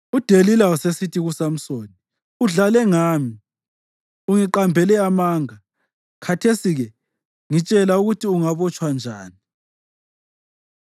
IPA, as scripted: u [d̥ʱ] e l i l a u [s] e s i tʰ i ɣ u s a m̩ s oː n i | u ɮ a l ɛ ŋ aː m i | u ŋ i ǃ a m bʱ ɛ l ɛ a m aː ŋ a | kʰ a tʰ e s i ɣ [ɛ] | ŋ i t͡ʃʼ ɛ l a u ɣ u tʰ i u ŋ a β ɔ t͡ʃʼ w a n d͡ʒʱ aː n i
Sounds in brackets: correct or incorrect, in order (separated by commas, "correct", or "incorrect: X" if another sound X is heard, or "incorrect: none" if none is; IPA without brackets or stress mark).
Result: correct, correct, correct